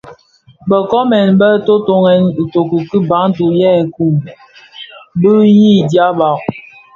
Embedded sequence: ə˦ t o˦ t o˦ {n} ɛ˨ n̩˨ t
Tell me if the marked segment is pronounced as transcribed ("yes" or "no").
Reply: no